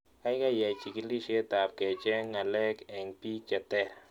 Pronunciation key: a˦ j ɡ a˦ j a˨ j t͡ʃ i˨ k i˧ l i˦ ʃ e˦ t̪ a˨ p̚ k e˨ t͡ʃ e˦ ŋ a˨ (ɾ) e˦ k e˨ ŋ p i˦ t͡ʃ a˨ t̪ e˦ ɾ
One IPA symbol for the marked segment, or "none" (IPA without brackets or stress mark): l